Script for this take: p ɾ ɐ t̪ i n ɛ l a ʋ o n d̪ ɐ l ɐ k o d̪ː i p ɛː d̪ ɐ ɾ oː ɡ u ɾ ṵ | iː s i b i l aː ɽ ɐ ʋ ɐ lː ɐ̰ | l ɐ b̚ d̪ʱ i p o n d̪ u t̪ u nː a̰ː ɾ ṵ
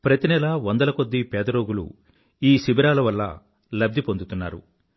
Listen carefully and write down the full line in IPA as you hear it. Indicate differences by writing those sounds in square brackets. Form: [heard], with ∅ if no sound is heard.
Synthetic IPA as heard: p ɾ ɐ t̪ i n ɛ l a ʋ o n d̪ ɐ l ɐ k o d̪ː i p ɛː d̪ ɐ ɾ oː ɡ u [l] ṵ | iː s i b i [ɾ] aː [l] ɐ ʋ ɐ lː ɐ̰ | l ɐ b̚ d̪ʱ i p o n d̪ u t̪ u nː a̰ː ɾ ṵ